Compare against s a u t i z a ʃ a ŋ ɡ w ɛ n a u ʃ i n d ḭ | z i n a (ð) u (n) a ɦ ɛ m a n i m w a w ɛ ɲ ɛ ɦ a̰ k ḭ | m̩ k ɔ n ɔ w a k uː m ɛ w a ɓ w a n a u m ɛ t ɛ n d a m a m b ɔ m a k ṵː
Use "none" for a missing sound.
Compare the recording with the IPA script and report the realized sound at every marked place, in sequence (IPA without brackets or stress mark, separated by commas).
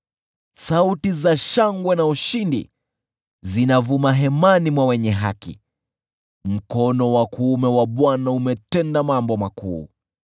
v, m